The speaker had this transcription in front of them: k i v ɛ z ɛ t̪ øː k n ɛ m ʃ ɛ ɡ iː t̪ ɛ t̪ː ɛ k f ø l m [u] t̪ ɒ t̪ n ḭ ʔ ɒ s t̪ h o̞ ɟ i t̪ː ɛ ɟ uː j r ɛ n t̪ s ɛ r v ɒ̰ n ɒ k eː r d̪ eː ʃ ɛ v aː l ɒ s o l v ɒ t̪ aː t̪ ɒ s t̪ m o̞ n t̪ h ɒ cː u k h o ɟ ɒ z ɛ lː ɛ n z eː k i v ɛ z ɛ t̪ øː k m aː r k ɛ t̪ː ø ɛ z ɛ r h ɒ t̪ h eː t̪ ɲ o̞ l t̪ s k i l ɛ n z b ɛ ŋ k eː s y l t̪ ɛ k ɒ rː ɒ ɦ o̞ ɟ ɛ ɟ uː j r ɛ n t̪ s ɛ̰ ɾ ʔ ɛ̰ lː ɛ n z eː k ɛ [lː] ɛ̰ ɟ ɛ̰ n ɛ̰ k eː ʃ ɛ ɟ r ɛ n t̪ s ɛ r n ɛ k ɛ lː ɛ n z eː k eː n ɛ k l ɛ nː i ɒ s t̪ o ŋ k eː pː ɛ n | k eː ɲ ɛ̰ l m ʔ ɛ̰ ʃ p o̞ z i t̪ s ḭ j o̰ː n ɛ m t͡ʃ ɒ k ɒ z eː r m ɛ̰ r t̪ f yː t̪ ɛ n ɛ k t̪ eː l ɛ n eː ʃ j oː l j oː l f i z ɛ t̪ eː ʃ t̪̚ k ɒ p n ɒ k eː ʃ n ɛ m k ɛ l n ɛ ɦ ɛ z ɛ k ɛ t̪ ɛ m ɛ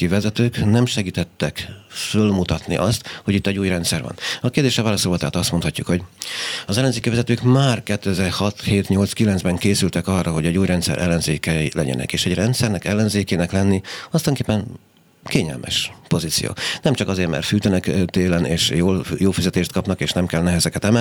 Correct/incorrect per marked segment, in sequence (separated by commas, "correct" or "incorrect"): correct, incorrect